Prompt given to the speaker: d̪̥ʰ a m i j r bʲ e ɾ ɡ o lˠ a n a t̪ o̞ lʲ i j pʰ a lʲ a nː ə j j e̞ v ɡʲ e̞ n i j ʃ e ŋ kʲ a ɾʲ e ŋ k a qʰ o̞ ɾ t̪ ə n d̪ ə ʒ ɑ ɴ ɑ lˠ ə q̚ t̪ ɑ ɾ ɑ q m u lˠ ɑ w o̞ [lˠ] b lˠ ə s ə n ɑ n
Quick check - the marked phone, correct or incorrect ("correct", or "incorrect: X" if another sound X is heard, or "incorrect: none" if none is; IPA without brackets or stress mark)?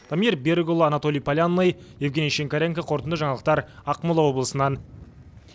incorrect: none